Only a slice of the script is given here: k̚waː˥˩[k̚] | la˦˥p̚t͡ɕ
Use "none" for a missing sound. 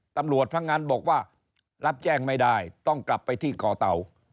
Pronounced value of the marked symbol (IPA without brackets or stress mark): none